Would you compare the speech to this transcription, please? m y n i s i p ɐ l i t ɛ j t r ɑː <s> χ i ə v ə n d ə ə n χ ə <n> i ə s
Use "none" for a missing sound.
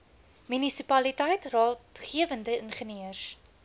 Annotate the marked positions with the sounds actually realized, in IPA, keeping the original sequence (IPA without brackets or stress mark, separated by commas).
t, n